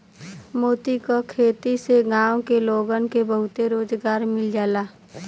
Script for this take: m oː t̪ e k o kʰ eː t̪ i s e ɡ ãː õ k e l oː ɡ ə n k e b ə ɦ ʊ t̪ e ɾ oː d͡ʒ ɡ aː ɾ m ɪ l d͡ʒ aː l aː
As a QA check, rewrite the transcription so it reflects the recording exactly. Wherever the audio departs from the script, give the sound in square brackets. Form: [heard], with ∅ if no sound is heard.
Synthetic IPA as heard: m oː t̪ [i] k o kʰ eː t̪ i s e ɡ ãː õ k e l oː ɡ ə n k e b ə ɦ ʊ t̪ e ɾ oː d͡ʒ ɡ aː ɾ m ɪ l d͡ʒ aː l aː